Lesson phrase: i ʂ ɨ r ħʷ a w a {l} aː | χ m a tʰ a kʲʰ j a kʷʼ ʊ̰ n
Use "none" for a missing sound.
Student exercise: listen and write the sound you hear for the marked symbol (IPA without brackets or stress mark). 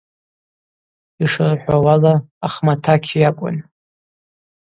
l